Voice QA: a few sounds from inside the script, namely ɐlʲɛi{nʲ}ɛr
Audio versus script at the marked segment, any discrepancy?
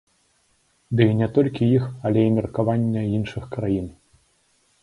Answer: yes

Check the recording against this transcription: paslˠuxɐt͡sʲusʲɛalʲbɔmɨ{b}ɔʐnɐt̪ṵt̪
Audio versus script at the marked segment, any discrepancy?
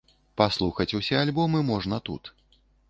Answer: yes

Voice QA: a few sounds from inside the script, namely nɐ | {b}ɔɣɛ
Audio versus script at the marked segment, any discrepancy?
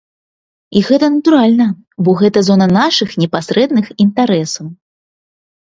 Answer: no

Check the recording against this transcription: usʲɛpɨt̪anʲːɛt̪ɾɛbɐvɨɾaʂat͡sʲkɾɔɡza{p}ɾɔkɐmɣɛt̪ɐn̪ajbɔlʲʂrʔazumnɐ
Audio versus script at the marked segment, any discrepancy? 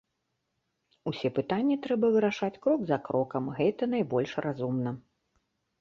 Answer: yes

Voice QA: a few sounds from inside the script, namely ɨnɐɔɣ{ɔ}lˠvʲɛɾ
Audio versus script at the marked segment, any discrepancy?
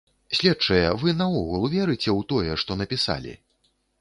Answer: yes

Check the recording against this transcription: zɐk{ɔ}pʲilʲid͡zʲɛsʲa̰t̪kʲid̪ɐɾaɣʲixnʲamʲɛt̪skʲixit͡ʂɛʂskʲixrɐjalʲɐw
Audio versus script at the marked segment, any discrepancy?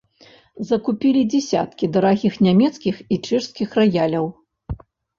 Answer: yes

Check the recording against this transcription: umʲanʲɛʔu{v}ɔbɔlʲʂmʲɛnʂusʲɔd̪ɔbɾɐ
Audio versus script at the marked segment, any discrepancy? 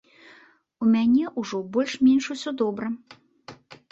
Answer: yes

